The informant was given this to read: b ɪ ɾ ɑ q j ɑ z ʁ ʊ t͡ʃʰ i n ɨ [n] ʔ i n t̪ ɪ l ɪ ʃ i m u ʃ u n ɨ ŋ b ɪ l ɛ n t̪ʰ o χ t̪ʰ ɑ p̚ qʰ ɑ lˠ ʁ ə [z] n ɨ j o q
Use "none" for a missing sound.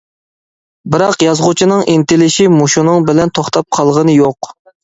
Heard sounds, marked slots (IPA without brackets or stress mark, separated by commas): ŋ, none